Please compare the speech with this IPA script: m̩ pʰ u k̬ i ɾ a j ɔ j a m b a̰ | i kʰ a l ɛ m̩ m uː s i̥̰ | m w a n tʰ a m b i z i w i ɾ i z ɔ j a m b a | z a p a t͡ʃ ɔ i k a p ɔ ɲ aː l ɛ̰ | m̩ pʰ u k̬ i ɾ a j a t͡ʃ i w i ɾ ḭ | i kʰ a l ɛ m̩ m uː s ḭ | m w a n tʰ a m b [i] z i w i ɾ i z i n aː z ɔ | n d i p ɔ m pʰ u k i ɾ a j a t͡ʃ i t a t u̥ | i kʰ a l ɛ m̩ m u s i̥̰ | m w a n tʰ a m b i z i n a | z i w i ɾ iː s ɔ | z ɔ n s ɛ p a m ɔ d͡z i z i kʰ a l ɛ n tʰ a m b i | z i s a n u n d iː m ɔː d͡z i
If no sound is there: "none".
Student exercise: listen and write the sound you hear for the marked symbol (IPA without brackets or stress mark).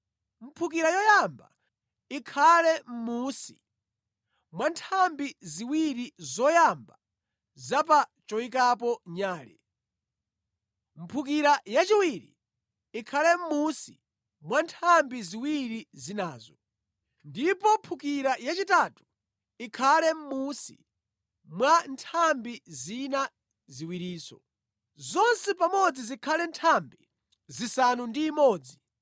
i